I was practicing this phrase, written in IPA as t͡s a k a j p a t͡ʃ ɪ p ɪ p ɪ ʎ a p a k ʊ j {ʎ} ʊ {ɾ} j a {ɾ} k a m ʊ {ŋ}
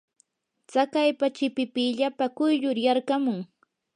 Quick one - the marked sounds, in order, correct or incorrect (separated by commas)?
correct, correct, correct, correct